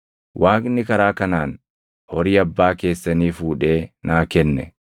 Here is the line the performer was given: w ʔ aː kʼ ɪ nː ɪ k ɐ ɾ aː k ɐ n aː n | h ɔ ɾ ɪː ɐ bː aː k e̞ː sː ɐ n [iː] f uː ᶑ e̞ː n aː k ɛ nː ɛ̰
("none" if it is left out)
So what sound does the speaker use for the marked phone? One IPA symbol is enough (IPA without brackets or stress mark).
iː